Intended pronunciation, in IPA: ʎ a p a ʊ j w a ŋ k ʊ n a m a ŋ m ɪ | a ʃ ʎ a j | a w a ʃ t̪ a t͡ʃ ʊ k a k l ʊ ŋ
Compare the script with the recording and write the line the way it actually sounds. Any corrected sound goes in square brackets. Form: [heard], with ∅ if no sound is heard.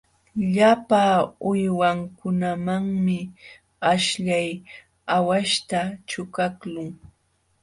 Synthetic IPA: ʎ a p a ʊ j w a ŋ k ʊ n a m a ŋ m ɪ | a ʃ ʎ a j | a w a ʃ t̪ a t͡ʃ ʊ k a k l ʊ ŋ